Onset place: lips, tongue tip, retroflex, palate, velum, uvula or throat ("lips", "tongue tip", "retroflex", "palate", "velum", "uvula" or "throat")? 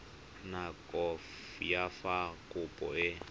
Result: tongue tip